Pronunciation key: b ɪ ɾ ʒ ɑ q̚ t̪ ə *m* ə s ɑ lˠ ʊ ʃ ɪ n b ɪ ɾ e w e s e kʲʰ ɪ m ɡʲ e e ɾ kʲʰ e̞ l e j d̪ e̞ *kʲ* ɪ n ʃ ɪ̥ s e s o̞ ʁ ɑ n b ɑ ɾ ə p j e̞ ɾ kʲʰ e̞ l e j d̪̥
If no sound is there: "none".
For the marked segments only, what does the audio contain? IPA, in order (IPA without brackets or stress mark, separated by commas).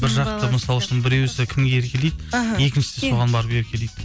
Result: m, kʲ